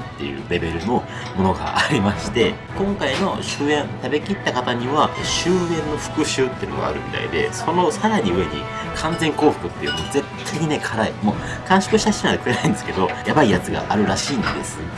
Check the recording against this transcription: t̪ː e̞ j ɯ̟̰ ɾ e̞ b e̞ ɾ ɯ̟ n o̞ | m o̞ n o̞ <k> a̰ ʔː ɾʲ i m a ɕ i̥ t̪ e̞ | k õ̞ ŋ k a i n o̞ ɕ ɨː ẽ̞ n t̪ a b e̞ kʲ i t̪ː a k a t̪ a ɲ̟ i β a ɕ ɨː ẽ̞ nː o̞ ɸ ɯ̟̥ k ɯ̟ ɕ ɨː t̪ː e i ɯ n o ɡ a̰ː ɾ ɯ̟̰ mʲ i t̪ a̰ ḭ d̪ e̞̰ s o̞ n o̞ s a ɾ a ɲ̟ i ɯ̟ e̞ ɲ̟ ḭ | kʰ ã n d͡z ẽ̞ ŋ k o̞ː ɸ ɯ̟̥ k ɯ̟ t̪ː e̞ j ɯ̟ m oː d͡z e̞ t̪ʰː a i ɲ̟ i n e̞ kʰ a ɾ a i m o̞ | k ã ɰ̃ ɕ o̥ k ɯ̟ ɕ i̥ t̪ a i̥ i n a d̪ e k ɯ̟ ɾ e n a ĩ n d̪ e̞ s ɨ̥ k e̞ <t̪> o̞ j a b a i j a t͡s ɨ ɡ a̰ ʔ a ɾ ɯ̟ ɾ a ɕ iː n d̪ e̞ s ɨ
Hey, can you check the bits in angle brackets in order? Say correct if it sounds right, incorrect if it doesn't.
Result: incorrect, incorrect

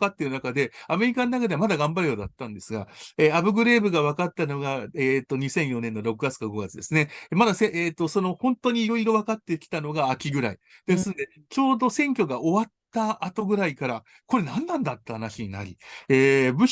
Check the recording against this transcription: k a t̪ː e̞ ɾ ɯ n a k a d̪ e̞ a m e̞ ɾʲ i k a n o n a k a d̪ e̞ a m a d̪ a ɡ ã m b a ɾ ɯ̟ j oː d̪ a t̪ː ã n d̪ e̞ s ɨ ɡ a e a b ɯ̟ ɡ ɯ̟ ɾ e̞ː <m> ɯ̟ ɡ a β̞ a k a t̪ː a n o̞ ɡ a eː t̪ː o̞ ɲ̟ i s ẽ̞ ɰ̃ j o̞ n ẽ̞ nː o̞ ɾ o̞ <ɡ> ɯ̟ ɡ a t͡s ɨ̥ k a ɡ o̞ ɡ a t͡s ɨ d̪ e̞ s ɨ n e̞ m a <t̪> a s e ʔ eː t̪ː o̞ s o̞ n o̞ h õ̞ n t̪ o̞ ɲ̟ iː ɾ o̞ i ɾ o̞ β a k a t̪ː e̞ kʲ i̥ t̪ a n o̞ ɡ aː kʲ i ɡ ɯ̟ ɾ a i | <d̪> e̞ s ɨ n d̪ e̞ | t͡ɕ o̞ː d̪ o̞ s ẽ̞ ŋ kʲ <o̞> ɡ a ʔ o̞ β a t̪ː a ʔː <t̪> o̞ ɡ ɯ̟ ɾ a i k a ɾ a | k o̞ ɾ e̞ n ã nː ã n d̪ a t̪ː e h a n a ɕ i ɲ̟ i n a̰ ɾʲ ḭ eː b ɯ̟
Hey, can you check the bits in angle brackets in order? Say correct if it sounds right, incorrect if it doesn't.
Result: incorrect, incorrect, incorrect, correct, correct, correct

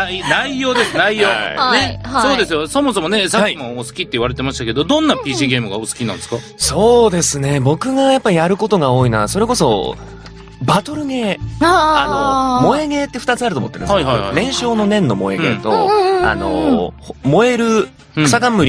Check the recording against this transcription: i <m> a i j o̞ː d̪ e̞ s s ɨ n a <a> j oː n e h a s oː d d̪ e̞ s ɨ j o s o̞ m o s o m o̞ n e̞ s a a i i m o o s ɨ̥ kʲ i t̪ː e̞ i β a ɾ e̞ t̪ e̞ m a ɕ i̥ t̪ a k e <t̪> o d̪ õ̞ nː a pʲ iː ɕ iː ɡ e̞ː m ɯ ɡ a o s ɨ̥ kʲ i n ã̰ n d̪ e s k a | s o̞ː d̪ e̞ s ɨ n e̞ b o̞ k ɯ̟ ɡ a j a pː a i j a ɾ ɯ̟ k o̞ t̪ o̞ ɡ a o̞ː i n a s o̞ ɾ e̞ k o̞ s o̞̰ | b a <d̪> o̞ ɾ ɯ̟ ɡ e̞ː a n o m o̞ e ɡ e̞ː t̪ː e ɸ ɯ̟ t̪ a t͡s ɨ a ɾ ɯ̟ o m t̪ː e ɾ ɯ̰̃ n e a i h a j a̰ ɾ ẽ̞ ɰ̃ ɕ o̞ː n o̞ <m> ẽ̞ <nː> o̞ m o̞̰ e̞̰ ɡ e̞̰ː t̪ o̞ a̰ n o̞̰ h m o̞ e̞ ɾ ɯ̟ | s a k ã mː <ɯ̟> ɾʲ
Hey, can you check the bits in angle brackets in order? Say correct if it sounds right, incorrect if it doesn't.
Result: incorrect, incorrect, incorrect, incorrect, incorrect, correct, correct

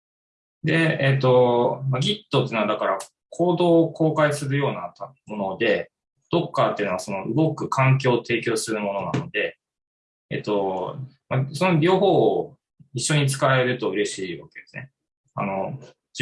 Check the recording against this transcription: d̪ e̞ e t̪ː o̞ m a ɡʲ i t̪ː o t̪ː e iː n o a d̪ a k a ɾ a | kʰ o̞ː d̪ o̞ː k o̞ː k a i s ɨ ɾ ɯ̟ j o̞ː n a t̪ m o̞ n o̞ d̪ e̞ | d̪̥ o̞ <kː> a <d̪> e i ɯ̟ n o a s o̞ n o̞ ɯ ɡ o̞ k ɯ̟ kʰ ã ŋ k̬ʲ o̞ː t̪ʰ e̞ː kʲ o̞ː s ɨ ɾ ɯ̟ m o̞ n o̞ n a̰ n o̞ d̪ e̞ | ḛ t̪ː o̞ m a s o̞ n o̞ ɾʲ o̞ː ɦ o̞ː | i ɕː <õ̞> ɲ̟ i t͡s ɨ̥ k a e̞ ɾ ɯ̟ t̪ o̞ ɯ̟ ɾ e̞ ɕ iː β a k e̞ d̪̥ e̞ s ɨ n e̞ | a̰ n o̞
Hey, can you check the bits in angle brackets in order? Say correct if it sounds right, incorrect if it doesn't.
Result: correct, incorrect, incorrect

